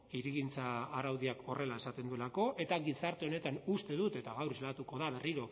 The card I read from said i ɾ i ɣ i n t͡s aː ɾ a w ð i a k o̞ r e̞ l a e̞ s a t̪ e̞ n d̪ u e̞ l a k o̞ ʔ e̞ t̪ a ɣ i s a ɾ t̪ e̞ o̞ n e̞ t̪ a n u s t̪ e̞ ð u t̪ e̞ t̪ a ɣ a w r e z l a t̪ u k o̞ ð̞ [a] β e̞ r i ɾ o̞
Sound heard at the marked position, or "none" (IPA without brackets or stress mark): a